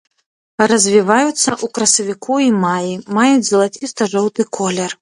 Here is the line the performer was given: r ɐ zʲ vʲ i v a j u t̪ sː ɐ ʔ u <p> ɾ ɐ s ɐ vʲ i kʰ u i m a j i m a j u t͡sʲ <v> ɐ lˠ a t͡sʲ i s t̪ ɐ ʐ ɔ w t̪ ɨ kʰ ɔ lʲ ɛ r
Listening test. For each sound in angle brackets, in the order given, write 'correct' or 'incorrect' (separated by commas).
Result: incorrect, incorrect